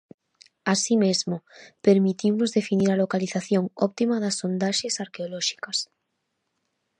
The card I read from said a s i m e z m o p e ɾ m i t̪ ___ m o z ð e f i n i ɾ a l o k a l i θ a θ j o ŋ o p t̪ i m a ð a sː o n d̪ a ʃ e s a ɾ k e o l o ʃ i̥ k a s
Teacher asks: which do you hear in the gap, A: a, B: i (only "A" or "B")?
B